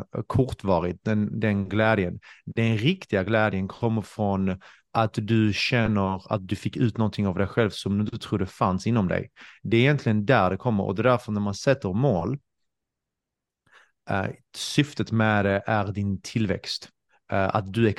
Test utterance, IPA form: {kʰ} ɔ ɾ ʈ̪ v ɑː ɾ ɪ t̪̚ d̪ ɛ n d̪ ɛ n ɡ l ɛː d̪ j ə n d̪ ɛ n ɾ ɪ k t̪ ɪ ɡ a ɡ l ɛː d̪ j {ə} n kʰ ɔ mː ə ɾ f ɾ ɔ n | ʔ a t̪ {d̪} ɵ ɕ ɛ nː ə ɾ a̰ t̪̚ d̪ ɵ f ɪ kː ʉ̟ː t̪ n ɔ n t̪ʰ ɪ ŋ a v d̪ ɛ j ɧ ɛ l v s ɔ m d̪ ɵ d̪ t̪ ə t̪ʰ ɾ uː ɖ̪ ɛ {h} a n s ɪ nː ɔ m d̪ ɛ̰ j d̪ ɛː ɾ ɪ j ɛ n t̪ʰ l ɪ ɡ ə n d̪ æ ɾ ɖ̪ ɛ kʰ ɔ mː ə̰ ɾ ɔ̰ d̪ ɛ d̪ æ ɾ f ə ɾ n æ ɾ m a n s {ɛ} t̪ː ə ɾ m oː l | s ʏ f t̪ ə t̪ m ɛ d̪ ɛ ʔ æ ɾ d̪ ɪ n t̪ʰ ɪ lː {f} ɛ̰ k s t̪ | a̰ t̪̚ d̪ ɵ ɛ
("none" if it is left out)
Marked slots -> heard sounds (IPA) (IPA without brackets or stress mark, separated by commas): kʰ, ə, d̪, f, ɛ, v